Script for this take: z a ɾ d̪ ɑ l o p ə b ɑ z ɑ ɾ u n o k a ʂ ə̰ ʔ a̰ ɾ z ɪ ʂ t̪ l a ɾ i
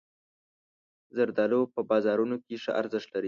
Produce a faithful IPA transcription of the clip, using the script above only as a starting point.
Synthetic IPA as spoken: z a ɾ d̪ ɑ l o p ə b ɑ z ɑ ɾ u n o k e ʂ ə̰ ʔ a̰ ɾ z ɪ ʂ t̪ l a ɾ i